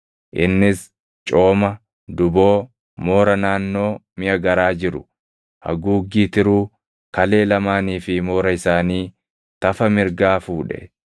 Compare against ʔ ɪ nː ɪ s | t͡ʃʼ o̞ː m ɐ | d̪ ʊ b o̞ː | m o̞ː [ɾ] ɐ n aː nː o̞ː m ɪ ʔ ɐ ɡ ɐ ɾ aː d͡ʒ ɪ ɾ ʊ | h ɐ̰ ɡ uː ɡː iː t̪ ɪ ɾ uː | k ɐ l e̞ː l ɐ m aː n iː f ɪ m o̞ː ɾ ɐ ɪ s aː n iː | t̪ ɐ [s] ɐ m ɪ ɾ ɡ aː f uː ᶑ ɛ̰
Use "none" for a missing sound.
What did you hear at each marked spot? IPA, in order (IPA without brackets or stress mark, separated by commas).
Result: ɾ, f